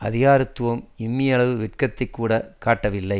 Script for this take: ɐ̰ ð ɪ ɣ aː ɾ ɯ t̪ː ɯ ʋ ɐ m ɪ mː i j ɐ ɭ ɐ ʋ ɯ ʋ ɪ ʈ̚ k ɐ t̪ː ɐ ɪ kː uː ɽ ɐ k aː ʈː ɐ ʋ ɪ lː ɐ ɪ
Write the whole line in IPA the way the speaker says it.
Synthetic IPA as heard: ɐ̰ ð ɪ ɣ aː ɾ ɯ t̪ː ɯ ʋ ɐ m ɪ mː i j ɐ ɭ ɐ ʋ ɯ ʋ ɪ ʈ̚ k ɐ t̪ː ɐ ɪ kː uː ɽ ɐ k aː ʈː ɐ ʋ ɪ lː ɐ ɪ